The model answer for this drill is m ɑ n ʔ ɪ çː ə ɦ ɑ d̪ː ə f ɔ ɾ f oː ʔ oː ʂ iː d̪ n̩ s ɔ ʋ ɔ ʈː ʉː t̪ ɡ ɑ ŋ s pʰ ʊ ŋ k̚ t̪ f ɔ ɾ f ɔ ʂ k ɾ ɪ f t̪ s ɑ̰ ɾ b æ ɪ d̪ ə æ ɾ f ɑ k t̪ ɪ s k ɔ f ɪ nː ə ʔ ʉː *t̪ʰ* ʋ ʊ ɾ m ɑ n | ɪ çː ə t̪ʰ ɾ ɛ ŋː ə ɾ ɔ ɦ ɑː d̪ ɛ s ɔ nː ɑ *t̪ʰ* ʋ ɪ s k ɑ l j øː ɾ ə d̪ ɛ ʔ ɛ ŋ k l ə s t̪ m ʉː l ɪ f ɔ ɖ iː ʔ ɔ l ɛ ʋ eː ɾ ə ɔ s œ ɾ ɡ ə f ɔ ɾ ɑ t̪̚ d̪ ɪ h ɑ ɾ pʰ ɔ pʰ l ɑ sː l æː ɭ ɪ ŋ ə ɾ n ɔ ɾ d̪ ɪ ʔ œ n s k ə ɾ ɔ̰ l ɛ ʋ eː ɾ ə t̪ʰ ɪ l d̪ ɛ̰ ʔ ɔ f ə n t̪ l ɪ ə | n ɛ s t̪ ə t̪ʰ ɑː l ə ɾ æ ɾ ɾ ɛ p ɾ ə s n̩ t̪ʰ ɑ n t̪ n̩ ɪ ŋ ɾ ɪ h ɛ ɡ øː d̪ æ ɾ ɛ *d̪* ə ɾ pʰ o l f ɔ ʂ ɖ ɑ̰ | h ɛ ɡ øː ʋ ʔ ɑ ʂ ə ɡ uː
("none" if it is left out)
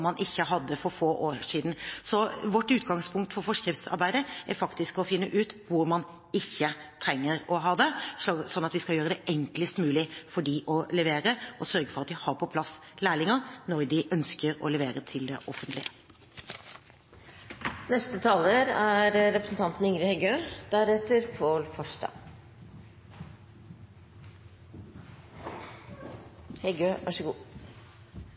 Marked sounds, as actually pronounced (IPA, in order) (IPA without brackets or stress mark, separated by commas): t̪, t̪, t̪